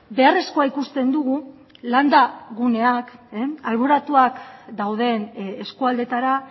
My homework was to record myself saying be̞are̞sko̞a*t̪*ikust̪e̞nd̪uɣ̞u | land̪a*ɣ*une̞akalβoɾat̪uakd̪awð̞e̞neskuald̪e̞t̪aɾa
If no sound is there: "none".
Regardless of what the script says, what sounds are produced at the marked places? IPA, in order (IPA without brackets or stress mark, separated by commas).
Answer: none, ɣ